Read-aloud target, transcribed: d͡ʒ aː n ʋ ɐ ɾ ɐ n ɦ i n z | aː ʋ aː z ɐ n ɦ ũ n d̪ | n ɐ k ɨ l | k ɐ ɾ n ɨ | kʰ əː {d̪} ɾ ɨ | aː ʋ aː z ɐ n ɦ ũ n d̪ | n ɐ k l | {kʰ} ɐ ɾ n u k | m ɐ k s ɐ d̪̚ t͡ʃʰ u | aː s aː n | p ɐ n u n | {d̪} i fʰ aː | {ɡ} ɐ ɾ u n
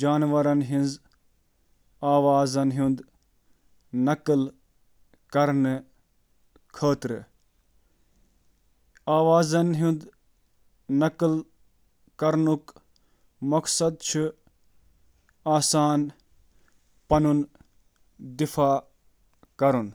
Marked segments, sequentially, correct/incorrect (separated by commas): incorrect, incorrect, correct, incorrect